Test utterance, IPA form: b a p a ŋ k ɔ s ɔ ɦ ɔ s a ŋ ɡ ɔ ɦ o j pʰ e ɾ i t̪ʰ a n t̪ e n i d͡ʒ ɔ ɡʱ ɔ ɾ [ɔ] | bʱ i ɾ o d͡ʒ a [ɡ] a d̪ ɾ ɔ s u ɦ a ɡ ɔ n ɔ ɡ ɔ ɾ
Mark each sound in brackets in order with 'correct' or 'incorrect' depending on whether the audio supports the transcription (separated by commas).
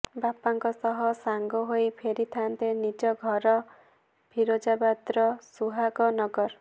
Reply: correct, incorrect